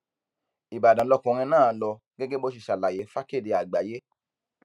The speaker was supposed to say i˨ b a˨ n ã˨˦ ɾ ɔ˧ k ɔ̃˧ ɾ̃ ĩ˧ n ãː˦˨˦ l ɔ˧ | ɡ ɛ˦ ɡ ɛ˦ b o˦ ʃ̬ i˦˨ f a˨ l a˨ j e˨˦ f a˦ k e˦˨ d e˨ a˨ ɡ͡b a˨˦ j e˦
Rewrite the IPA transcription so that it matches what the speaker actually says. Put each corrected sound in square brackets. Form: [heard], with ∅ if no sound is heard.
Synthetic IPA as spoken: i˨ b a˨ [d] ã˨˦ [l] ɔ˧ k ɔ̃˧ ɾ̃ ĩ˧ n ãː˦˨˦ l ɔ˧ | ɡ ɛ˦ ɡ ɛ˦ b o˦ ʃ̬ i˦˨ [ʃ] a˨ l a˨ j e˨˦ f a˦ k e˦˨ d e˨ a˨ ɡ͡b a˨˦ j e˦